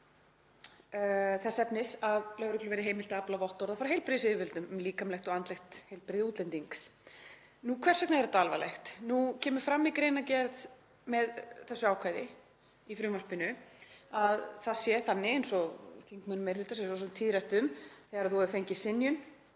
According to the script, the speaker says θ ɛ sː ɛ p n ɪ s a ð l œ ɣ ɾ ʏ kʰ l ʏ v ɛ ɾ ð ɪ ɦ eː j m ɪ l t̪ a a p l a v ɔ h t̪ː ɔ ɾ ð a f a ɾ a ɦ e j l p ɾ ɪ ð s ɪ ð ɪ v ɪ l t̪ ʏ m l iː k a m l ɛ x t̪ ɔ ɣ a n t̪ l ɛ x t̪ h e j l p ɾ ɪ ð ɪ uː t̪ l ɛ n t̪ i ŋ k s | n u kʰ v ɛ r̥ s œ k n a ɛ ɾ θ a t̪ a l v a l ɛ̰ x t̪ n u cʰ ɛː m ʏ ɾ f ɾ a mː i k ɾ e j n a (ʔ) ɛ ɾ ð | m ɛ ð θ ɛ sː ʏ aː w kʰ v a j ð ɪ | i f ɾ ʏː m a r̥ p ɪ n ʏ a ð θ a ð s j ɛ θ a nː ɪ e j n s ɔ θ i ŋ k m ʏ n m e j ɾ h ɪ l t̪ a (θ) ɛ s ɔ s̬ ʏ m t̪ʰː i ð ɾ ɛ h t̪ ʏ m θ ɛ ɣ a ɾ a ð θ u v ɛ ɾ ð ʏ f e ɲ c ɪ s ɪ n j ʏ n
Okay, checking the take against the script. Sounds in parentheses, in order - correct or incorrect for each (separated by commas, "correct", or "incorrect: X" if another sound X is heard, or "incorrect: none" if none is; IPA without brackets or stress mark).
incorrect: c, incorrect: s